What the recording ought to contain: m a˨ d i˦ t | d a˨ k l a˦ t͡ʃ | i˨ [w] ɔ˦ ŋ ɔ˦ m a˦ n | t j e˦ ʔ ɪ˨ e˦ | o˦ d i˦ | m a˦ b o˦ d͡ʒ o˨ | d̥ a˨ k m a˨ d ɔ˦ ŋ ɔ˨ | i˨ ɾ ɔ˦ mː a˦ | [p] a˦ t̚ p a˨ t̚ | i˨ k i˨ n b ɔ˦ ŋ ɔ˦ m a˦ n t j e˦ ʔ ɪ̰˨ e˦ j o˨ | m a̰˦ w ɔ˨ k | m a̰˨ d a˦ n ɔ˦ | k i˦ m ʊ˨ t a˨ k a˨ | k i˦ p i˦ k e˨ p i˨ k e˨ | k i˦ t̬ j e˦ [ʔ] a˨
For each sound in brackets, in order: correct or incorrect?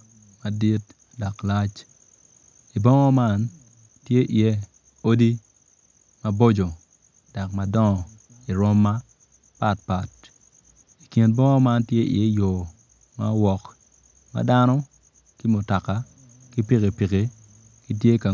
incorrect: b, correct, incorrect: k

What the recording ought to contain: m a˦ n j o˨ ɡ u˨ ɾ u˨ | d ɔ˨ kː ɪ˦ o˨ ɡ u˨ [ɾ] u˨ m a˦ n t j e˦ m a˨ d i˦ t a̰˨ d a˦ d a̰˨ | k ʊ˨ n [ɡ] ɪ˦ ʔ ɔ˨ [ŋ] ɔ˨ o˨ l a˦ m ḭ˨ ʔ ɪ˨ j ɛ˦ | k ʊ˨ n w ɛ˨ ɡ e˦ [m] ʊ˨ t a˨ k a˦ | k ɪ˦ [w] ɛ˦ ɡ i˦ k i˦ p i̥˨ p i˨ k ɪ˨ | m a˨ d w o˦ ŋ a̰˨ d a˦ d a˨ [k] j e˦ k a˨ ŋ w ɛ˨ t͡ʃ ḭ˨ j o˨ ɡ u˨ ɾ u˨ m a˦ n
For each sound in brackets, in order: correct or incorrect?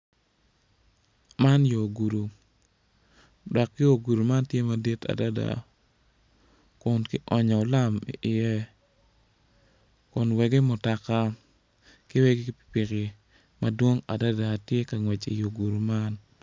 correct, incorrect: k, incorrect: ɲ, correct, correct, incorrect: t

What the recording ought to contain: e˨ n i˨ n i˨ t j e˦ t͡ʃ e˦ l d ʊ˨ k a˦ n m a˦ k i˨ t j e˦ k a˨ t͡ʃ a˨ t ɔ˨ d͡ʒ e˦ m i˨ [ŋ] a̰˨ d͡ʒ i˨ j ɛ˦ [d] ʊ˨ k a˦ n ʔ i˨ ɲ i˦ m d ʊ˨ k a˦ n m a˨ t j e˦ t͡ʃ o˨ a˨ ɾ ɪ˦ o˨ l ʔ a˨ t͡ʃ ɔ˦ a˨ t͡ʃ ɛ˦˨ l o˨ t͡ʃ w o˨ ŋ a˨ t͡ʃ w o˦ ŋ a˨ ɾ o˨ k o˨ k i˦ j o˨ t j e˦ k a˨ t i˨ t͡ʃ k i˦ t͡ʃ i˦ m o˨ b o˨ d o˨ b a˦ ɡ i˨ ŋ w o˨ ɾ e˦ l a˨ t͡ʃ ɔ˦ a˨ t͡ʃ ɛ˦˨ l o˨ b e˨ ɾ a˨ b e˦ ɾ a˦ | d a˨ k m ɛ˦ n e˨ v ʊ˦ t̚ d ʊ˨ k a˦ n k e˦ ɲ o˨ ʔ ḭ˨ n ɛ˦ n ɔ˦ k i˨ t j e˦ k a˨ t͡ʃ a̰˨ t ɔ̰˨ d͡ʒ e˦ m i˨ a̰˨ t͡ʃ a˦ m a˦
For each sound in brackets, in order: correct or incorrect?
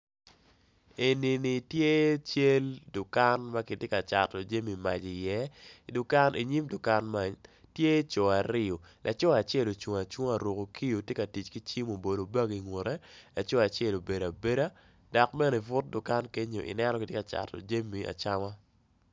incorrect: m, correct

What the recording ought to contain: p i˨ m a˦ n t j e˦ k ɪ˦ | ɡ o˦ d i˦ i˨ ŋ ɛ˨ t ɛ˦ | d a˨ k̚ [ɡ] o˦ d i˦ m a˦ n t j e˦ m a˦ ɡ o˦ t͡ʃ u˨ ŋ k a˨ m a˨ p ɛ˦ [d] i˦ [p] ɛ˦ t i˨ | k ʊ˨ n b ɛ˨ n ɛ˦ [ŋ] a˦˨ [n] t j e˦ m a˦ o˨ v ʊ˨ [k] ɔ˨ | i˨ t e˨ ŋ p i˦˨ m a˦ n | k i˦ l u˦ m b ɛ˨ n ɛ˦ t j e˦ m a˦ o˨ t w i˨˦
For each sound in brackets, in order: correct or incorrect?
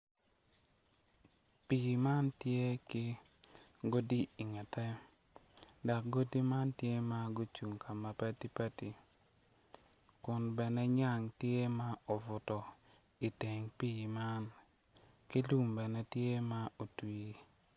correct, incorrect: t, correct, incorrect: ɲ, incorrect: ŋ, incorrect: t

